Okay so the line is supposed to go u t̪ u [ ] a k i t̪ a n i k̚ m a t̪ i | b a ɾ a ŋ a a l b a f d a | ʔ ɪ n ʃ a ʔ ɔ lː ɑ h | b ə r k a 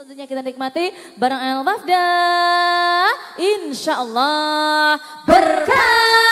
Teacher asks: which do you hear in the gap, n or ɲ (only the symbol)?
ɲ